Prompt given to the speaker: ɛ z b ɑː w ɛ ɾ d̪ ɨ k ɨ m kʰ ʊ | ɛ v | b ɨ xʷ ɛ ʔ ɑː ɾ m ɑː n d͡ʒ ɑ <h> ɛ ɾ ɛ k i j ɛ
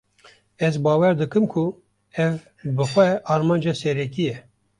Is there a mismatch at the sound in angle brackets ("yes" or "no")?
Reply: yes